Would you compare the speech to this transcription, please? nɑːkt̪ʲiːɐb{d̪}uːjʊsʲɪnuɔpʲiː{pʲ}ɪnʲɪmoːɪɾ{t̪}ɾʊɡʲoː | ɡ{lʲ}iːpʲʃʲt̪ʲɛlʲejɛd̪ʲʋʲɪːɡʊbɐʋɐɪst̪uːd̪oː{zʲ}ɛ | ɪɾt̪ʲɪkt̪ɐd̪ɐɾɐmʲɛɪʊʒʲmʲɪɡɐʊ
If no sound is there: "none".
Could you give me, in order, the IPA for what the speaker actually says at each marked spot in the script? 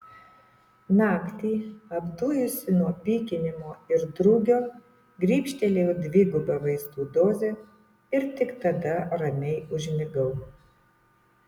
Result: d̪, kʲ, d̪, ɾʲ, zʲ

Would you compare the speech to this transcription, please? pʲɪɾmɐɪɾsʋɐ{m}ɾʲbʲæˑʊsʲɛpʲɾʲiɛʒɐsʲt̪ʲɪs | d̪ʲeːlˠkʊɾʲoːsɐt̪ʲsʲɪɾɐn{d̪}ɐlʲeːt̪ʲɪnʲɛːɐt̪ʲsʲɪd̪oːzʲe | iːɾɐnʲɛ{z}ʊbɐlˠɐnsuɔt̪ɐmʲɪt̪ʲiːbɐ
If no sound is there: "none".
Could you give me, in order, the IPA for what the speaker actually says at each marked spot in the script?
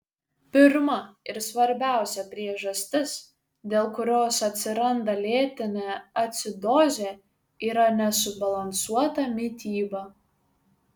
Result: none, d̪, s

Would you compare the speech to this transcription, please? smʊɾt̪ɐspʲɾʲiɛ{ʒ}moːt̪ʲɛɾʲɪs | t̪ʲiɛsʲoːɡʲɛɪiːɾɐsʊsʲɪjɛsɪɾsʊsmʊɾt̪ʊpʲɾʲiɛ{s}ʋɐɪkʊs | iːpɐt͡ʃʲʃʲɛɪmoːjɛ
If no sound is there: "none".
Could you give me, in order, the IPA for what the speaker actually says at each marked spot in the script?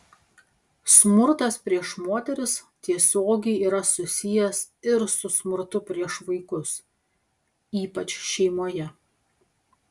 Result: ʃ, ʃ

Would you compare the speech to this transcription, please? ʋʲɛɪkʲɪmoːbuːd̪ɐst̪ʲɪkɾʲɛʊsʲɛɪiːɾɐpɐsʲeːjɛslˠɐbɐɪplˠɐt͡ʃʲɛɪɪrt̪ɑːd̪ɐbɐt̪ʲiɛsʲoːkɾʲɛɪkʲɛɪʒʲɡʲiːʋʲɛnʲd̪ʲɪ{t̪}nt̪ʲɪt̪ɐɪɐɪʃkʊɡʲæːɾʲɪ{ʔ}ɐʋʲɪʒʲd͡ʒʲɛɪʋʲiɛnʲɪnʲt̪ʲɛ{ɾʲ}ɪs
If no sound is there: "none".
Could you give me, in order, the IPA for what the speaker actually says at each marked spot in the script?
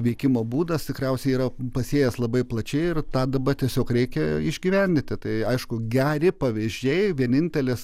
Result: none, p, lʲ

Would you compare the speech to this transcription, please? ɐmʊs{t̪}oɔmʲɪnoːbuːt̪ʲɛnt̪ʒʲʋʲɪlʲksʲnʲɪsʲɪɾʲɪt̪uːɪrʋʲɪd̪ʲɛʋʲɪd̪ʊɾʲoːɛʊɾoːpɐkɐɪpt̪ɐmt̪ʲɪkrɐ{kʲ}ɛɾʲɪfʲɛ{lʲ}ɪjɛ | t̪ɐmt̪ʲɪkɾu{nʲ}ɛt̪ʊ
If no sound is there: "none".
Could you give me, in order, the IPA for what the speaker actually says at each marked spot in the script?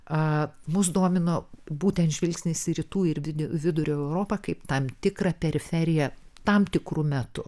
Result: d̪, pʲ, ɾʲ, mʲ

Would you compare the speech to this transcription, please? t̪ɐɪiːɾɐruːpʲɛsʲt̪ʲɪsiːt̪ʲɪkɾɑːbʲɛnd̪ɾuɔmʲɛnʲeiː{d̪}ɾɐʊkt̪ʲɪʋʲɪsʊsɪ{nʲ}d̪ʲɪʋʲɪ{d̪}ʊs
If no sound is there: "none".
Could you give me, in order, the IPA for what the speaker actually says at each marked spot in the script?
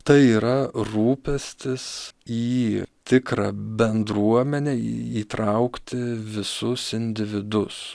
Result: t̪, nʲ, d̪

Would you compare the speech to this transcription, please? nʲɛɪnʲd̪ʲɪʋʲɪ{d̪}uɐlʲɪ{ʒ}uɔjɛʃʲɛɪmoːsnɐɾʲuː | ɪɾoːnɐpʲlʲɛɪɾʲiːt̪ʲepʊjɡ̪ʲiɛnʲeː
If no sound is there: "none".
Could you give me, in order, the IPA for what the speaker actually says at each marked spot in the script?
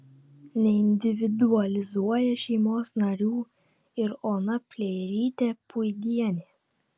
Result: d̪, z

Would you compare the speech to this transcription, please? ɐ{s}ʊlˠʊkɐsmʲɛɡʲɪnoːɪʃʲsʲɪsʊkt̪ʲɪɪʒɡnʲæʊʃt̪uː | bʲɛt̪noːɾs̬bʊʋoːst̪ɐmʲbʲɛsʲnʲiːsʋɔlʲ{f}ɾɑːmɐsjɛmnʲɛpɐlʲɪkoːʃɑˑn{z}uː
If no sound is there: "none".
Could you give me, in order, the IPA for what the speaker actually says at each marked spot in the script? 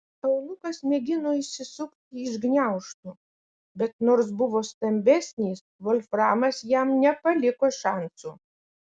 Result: none, f, s

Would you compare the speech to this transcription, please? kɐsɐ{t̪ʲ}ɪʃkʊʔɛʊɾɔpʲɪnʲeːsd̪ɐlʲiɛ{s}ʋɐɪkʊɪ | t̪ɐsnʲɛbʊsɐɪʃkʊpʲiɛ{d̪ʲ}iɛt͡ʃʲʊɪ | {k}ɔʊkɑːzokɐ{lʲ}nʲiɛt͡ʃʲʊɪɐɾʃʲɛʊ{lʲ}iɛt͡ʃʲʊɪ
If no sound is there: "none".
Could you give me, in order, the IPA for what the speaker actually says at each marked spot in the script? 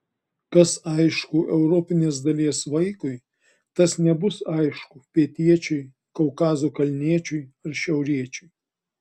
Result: none, s, t̪ʲ, k, lʲ, ɾʲ

